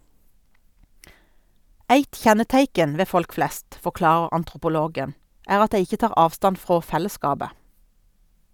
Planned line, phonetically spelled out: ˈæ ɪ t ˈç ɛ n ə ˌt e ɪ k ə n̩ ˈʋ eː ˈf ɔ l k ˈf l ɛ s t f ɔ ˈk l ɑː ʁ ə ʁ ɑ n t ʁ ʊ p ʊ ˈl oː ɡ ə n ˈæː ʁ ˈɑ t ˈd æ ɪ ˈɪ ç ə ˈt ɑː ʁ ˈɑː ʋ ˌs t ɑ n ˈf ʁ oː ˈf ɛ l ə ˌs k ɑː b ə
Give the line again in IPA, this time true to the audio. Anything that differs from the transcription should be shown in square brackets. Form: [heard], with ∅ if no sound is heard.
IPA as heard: ˈæ ɪ t ˈç ɛ n ə ˌt [æ] ɪ k ə n̩ ˈʋ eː ˈf ɔ l k ˈf l ɛ s t f ɔ ˈk l ɑː ʁ ə ʁ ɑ n t ʁ ʊ p ʊ ˈl oː ɡ ə n ˈæː ʁ ˈɑ t ˈd æ ɪ ˈɪ ç ə ˈt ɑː ʁ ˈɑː ʋ ˌs t ɑ n ˈf ʁ oː ˈf ɛ l ə ˌs k ɑː b ə